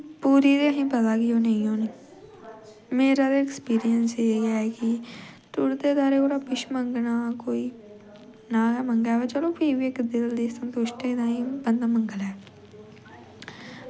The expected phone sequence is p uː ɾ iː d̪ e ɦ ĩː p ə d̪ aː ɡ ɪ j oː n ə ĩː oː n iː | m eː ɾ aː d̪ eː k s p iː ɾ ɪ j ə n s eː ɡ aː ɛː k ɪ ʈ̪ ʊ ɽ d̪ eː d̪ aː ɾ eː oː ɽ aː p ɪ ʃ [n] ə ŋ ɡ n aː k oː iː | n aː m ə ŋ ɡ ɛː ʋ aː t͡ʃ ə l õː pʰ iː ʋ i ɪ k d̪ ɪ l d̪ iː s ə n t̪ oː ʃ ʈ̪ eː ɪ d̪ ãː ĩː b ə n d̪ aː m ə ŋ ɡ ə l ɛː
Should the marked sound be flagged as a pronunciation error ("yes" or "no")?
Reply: yes